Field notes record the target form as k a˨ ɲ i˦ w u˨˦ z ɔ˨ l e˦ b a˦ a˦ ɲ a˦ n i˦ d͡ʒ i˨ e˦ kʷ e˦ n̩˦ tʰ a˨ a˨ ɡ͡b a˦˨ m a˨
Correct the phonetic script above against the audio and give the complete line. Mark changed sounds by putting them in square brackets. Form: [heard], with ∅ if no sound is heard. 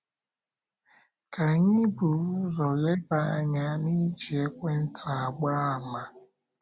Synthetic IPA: k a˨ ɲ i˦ [b] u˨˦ z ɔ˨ l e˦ b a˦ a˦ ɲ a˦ n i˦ d͡ʒ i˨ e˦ kʷ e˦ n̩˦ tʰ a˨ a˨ ɡ͡b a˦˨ m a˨